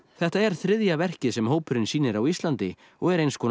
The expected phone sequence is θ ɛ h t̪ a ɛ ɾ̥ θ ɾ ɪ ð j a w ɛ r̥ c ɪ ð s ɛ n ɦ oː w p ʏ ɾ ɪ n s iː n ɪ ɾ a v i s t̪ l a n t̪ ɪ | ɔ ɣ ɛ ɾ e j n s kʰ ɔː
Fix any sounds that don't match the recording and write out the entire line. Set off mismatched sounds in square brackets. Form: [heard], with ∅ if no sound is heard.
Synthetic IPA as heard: θ ɛ h t̪ a ɛ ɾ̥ θ ɾ ɪ ð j a [v] ɛ r̥ c ɪ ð s ɛ [m] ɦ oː w p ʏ ɾ ɪ n s iː n ɪ ɾ a [w] i s t̪ l a n t̪ ɪ | ɔ ɣ ɛ ɾ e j n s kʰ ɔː